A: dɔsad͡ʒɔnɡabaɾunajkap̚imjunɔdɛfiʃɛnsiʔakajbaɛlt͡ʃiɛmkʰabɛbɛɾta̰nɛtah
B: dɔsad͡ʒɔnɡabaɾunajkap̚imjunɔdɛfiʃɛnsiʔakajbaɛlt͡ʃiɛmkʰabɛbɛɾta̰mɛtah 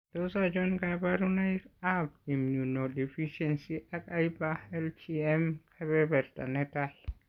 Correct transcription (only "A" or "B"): A